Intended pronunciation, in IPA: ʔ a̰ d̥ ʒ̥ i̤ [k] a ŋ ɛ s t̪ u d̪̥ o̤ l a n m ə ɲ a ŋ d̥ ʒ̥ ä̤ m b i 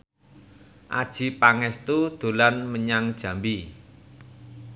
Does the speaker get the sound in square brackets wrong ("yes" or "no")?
yes